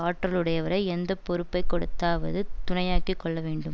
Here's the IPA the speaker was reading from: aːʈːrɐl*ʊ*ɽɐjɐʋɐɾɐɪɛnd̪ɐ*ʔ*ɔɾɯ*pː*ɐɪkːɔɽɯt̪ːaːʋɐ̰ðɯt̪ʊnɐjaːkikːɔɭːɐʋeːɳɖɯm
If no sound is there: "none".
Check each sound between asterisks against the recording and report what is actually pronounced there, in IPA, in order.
ɯ, p, pː

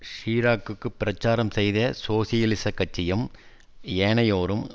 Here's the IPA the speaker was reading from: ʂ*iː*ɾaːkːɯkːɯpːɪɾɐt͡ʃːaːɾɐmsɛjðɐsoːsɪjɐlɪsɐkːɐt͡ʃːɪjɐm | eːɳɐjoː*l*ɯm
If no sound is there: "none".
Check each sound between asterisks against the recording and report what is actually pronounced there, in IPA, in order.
iː, ɾ

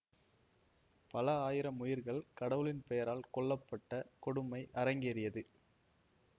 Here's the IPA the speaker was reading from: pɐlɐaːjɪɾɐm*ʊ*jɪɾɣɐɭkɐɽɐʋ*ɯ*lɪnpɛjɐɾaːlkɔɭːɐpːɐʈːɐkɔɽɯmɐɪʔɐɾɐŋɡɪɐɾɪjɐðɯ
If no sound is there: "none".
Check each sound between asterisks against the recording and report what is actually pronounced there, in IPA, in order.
ʊ, ɯ

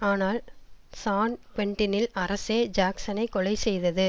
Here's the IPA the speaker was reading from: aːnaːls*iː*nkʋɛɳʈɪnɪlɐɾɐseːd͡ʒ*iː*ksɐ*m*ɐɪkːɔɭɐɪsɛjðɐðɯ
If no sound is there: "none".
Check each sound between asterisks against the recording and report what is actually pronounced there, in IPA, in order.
aː, aː, n

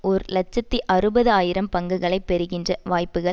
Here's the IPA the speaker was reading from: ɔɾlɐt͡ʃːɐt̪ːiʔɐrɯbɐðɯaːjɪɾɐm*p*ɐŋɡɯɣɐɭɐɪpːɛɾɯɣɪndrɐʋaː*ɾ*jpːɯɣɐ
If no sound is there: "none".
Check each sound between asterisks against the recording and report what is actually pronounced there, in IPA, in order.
p, none

